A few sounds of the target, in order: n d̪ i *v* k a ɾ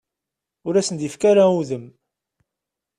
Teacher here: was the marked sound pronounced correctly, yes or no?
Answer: no